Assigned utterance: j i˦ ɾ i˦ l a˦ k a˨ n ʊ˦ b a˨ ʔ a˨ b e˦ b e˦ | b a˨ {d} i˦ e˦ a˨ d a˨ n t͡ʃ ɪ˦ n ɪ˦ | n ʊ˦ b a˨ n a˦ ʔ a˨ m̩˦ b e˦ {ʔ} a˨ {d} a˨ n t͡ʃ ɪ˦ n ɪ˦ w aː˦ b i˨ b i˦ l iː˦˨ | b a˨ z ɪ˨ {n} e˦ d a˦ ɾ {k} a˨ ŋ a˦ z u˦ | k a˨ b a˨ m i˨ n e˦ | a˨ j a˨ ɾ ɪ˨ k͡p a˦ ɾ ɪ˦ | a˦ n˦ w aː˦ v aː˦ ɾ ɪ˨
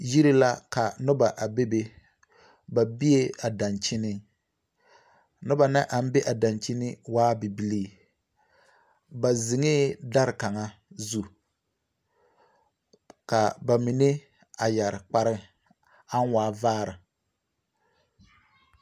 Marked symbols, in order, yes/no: no, yes, yes, no, yes

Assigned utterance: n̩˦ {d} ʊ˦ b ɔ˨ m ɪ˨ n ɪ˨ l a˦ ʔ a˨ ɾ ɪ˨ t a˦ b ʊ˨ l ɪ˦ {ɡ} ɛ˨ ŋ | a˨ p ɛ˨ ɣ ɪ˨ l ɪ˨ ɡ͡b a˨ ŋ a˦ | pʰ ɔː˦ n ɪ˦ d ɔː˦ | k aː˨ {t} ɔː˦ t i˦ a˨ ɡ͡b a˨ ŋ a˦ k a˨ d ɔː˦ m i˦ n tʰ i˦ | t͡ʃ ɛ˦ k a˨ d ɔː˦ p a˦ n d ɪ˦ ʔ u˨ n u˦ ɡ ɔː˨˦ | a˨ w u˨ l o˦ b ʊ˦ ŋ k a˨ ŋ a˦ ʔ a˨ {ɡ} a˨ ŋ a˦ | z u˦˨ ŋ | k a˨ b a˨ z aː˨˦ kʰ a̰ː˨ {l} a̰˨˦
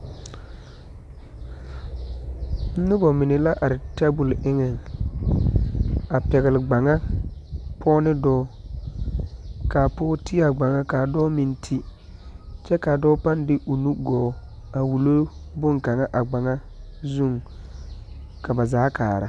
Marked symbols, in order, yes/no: no, no, no, no, no

